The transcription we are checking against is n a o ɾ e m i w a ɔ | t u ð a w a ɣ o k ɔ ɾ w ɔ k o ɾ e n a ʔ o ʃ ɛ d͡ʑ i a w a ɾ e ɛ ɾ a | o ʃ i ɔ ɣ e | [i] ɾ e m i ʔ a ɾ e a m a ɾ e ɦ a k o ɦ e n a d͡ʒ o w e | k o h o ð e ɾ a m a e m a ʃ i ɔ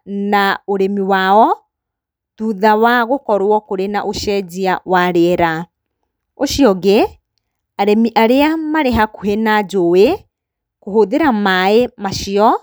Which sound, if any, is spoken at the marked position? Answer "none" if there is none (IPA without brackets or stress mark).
a